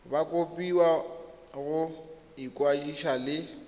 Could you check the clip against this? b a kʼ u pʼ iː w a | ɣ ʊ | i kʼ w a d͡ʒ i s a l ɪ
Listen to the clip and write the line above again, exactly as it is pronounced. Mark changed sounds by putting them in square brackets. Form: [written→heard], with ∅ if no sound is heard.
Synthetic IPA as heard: b a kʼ [u→o] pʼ [iː→i] w a | ɣ ʊ | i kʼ w a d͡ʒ i [s→ʃ] a l ɪ